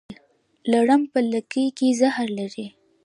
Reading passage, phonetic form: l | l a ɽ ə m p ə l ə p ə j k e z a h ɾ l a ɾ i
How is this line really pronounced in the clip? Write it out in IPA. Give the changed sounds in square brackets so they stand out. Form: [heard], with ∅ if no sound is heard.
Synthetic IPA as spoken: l | l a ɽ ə m p ə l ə [k] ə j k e z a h ɾ l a ɾ i